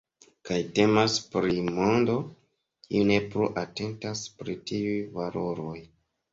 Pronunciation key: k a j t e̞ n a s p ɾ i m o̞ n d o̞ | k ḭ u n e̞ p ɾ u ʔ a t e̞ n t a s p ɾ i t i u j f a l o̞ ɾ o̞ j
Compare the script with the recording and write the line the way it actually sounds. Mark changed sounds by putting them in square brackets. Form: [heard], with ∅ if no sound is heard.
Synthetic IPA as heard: k a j t e̞ [m] a s p ɾ i m o̞ n d o̞ | k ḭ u n e̞ p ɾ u ʔ a t e̞ n t a s p ɾ i t i u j [v] a l o̞ ɾ o̞ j